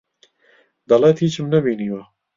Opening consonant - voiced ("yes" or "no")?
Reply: yes